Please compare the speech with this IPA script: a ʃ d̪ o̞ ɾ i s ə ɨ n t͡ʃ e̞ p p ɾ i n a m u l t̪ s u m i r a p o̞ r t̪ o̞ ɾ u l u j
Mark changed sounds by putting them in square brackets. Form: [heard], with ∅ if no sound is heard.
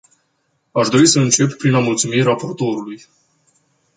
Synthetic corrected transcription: a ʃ d̪ o̞ ɾ i s ə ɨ n t͡ʃ e̞ p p ɾ i n a m u l t̪ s u m i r a p o̞ r t̪ o̞ ɾ u l u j